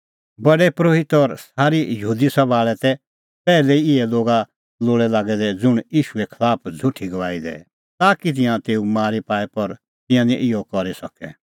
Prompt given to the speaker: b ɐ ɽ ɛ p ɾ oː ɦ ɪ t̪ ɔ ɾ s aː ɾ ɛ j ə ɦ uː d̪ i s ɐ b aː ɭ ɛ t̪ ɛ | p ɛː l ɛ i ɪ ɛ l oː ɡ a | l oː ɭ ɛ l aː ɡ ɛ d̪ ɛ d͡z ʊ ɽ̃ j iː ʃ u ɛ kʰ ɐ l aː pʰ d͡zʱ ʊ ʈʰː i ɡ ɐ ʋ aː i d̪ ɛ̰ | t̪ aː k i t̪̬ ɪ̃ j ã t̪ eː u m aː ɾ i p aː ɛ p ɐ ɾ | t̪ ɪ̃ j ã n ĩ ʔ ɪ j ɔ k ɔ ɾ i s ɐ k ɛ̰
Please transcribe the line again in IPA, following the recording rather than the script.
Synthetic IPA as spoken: b ɐ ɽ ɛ p ɾ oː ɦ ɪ t̪ ɔ ɾ s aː ɾ i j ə ɦ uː d̪ i s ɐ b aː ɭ ɛ t̪ ɛ | p ɛː l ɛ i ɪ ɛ l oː ɡ a | l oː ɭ ɛ l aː ɡ ɛ d̪ ɛ d͡z ʊ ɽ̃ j iː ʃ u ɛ kʰ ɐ l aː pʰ d͡zʱ ʊ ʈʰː i ɡ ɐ ʋ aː i d̪ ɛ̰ | t̪ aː k i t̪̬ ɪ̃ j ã t̪ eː u m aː ɾ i p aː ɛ p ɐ ɾ | t̪ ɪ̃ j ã n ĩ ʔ ɪ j ɔ k ɔ ɾ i s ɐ k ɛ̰